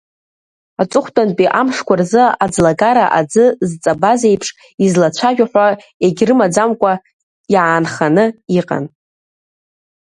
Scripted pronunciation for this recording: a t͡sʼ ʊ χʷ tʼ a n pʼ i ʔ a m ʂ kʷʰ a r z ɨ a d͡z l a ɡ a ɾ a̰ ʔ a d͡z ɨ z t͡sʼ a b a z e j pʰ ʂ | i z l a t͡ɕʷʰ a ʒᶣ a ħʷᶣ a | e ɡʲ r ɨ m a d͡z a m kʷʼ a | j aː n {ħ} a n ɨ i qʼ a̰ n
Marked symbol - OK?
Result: no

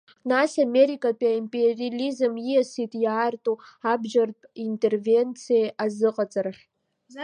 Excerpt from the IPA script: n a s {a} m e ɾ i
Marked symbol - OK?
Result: yes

